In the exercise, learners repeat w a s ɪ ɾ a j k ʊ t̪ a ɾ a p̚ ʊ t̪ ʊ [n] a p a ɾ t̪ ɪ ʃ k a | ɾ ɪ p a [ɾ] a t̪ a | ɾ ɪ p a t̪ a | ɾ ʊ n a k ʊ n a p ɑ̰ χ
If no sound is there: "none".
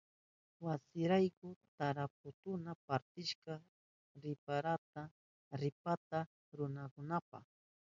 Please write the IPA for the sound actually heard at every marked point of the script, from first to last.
n, ɾ

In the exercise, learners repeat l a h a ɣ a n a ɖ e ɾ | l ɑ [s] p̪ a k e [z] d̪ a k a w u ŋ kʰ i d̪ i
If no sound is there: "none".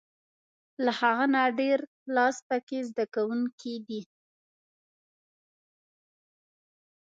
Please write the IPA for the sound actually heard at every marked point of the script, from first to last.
s, z

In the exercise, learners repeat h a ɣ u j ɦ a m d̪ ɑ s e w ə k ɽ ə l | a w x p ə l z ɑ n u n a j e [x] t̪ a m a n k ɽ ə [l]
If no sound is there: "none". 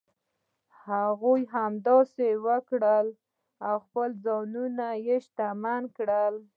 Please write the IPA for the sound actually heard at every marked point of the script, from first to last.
ʃ, l

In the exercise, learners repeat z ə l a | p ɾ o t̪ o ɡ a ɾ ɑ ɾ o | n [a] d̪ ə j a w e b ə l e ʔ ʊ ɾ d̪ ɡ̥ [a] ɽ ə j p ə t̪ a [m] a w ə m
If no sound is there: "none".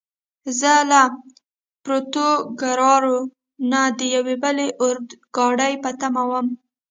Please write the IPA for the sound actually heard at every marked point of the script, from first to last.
a, ɑ, m

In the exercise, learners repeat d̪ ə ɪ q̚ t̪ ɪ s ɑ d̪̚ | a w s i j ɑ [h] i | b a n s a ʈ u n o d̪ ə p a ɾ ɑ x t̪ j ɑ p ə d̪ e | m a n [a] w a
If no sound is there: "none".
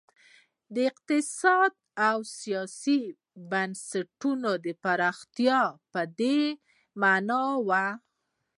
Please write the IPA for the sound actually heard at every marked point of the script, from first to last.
s, ɑ

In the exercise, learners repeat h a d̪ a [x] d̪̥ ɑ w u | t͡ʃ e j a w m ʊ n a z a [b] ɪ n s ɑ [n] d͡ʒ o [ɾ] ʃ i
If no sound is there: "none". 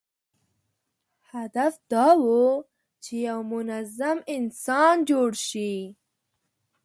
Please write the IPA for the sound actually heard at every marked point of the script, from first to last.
f, m, n, ɽ

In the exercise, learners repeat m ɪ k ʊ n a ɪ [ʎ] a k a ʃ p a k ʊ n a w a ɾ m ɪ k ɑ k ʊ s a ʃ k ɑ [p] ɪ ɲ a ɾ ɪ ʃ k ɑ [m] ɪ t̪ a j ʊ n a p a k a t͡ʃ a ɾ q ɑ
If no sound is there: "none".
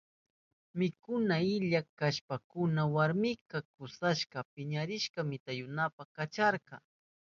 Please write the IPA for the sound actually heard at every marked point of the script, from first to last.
ʎ, p, m

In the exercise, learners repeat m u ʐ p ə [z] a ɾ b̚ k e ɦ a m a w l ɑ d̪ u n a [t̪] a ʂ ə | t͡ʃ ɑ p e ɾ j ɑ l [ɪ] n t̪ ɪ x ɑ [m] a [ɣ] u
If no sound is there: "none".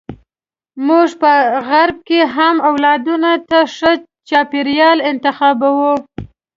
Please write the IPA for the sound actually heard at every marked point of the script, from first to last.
ɣ, t̪, ɪ, b, w

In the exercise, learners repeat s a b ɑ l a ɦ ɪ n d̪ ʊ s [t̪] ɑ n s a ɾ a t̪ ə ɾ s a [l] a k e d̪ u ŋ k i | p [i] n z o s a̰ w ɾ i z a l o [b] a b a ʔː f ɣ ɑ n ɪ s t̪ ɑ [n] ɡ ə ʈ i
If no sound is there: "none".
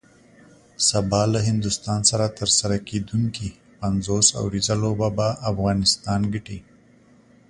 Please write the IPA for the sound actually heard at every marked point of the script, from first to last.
t̪, ɾ, a, b, n

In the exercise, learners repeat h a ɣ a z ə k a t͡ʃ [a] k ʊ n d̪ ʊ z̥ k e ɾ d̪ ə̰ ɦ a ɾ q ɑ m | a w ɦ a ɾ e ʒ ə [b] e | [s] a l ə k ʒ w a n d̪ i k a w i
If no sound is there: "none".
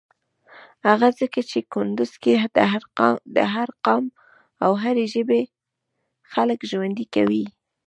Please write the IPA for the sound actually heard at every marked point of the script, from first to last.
e, b, x

